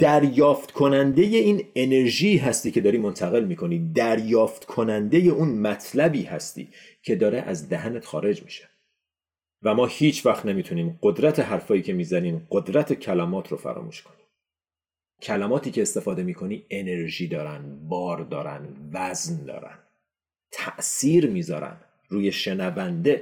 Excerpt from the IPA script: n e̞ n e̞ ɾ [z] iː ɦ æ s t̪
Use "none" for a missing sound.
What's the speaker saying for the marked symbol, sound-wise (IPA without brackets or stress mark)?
ʒ